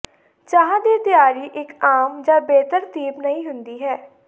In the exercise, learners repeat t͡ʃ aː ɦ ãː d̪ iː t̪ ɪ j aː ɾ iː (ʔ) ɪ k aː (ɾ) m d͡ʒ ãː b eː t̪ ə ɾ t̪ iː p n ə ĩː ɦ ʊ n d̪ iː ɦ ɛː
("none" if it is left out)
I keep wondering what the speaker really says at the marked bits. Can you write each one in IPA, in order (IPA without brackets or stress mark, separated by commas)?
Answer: ʔ, none